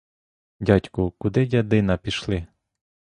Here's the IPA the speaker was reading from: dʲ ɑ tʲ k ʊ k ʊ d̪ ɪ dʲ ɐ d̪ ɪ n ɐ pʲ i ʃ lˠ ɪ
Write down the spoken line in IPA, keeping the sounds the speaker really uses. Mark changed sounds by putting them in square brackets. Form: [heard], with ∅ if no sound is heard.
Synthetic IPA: dʲ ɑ tʲ k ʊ k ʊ d̪ ɪ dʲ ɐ d̪ ɪ n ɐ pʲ i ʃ lˠ ɪ